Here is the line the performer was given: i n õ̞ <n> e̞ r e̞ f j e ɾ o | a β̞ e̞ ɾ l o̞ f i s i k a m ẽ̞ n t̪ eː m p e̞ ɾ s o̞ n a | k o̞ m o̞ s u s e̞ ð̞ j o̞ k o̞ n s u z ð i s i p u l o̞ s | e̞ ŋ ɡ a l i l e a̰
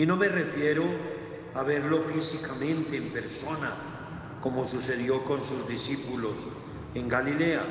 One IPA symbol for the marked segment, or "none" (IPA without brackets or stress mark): m